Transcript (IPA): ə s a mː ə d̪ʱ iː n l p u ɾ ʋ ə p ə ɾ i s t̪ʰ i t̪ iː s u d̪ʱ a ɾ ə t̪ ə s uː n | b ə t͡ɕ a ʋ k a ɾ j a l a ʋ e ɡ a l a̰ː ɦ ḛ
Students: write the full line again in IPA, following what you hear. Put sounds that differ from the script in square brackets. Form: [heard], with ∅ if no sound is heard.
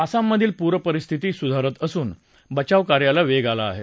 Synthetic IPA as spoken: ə s a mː ə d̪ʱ iː [∅] l p u ɾ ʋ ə p ə ɾ i s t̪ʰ i t̪ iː s u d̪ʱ a ɾ ə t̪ ə s uː n | b ə t͡ɕ a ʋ k a ɾ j a l a ʋ e ɡ a l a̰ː ɦ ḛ